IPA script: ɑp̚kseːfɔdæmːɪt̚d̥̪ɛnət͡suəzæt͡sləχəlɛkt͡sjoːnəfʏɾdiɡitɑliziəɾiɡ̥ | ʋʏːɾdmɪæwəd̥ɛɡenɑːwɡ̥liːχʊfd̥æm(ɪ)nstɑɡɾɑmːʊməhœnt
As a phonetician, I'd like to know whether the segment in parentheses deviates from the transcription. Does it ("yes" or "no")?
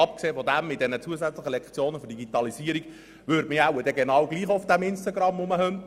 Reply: no